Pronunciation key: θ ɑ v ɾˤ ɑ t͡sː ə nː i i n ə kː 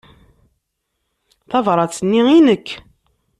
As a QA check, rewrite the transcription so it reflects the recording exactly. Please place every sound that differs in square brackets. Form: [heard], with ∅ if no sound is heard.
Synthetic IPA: θ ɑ v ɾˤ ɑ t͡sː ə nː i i n ə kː